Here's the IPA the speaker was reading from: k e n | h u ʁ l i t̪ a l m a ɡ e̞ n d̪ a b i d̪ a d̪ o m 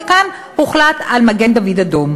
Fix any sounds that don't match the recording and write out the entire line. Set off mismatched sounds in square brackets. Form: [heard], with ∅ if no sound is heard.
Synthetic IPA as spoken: k [a] n | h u [χ] l [a] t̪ a l m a ɡ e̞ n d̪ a [v] i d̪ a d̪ o m